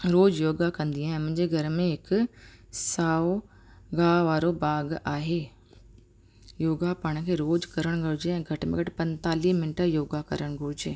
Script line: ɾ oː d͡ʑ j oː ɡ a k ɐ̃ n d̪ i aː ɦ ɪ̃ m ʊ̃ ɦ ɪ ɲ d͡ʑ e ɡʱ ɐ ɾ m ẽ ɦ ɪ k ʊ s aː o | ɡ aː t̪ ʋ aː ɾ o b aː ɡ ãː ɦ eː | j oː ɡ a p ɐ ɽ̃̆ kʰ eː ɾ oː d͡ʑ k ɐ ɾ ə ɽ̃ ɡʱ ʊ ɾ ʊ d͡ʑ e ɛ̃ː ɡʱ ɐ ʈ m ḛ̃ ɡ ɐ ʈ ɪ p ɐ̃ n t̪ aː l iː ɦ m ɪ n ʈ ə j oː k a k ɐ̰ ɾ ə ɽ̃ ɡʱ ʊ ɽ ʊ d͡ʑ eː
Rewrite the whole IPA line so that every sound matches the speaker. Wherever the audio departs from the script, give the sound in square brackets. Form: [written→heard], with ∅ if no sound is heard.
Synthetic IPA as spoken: ɾ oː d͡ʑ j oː ɡ a k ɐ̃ n d̪ i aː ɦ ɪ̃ m ʊ̃ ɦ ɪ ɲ d͡ʑ e ɡʱ ɐ ɾ m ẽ ɦ ɪ k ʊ s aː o | ɡ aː [t̪→∅] ʋ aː ɾ o b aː ɡ [ãː→aː] ɦ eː | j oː ɡ a p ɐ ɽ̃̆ kʰ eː ɾ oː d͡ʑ k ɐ ɾ ə ɽ̃ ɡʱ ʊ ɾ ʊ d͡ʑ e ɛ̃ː ɡʱ ɐ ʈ m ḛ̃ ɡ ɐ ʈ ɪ p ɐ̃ n t̪ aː l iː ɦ m ɪ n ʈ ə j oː [k→ɡ] a k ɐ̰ ɾ ə ɽ̃ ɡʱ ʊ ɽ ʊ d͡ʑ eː